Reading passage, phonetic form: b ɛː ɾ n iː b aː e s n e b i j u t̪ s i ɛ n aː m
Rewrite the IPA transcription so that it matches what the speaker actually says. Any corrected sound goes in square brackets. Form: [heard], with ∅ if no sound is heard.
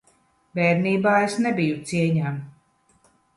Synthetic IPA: b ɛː ɾ n iː b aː e s n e b i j u t̪ s i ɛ [ɲ] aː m